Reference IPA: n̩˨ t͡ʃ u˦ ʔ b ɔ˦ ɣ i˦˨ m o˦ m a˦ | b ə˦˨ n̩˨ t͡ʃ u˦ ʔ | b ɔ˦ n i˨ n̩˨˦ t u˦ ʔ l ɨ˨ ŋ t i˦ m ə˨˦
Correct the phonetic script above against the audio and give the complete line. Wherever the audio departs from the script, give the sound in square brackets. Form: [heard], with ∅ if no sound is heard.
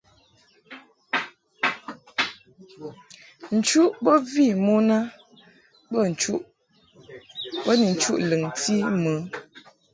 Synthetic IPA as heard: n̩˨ t͡ʃ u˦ ʔ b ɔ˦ [v] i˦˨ m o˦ [n] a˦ | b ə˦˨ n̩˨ t͡ʃ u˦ ʔ | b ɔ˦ n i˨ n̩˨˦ [t͡ʃ] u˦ ʔ l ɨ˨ ŋ t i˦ m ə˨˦